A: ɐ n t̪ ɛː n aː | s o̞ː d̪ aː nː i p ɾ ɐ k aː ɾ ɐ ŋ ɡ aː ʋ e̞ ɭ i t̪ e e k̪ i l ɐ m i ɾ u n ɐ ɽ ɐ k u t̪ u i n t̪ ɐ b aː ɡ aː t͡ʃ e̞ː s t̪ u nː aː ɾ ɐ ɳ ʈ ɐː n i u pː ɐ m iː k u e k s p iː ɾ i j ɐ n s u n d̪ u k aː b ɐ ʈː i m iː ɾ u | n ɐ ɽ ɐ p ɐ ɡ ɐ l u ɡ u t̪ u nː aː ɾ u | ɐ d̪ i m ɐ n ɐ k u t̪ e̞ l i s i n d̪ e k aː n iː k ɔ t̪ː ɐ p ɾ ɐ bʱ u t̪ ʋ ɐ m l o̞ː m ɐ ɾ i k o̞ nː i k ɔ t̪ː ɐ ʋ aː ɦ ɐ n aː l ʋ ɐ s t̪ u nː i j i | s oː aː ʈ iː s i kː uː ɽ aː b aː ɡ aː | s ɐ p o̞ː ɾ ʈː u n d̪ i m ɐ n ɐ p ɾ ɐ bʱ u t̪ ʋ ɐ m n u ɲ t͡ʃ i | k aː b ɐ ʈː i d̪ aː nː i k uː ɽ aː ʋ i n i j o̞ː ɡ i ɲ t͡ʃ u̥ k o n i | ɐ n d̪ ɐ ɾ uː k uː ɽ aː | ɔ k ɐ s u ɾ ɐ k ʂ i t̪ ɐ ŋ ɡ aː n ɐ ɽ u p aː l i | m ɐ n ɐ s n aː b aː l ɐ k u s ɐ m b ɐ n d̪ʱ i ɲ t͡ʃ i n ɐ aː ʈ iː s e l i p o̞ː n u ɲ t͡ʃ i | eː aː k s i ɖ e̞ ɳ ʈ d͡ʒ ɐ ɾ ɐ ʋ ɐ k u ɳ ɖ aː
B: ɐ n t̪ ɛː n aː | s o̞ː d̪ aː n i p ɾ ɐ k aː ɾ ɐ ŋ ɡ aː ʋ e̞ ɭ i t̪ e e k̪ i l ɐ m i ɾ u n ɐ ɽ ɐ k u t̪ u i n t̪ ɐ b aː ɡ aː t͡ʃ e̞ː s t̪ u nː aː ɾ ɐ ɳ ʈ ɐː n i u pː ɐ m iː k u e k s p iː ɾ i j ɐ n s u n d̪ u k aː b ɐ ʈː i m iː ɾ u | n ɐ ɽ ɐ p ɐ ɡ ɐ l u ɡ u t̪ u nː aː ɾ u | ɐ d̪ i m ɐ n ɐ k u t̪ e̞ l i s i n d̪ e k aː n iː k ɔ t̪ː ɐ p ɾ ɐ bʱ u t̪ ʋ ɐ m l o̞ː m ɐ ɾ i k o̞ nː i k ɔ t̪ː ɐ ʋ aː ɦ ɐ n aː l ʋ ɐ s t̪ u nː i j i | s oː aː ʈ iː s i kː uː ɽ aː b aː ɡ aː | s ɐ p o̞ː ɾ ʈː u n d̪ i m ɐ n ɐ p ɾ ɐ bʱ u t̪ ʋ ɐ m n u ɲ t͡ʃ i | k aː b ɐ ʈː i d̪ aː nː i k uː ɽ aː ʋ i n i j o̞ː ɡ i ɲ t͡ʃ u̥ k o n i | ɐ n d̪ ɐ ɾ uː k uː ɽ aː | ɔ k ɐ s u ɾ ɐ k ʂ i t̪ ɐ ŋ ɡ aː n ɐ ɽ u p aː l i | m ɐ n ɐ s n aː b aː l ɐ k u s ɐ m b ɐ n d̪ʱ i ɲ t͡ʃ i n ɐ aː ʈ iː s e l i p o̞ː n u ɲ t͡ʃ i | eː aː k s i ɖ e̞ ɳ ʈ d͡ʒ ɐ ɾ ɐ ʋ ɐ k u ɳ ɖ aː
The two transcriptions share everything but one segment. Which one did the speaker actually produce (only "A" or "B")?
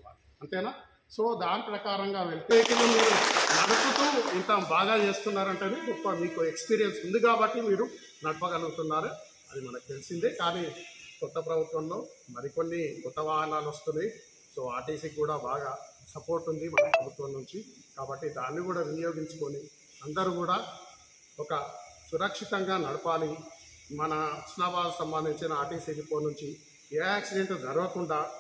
B